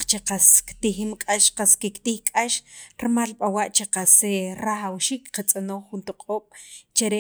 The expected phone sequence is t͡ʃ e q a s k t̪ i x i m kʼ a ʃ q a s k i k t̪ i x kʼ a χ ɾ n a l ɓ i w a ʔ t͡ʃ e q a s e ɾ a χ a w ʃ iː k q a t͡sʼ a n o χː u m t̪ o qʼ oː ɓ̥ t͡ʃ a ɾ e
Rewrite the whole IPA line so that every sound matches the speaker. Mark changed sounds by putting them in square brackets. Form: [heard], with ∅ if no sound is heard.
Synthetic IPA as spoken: t͡ʃ e q a s k t̪ i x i m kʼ a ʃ q a s k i k t̪ i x kʼ a [ʃ] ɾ [m] a l ɓ [a] w a ʔ t͡ʃ e q a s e ɾ a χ a w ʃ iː k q a t͡sʼ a n o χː u [n] t̪ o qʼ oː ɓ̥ t͡ʃ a ɾ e